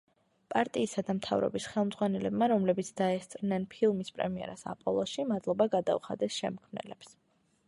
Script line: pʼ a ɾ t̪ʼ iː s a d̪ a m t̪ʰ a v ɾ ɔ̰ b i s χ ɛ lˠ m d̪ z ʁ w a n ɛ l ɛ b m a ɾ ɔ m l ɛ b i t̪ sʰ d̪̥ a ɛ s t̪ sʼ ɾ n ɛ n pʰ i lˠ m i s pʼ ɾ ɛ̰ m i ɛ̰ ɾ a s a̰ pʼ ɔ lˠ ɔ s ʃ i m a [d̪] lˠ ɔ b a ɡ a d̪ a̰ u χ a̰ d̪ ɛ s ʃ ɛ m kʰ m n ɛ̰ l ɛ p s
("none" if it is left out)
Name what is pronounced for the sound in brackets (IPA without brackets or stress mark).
d̪